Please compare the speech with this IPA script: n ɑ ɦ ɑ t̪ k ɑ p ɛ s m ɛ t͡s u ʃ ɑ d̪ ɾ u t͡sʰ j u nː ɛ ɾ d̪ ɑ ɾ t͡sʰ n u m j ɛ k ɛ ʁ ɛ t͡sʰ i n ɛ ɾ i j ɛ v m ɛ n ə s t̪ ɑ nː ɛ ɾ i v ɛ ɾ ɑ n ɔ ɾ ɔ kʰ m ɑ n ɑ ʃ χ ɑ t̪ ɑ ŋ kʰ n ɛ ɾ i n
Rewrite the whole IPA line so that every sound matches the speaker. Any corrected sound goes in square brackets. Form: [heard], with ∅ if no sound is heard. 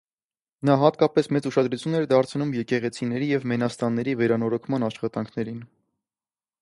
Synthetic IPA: n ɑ ɦ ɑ t̪ k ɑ p ɛ s m ɛ t͡s u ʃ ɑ d̪ ɾ u t͡sʰ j u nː ɛ ɾ d̪ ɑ ɾ t͡sʰ n u m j ɛ k ɛ ʁ ɛ t͡sʰ i n ɛ ɾ i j ɛ v m ɛ n [ɑ] s t̪ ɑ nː ɛ ɾ i v ɛ ɾ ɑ n ɔ ɾ ɔ kʰ m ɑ n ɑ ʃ χ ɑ t̪ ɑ ŋ kʰ n ɛ ɾ i n